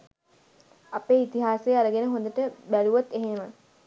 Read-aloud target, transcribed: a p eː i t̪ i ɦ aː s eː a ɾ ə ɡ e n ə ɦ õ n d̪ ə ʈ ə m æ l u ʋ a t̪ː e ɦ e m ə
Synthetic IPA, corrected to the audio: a p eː i t̪ i ɦ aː s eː a ɾ ə ɡ e n ə ɦ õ n d̪ ə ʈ ə b æ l u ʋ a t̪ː e ɦ e m ə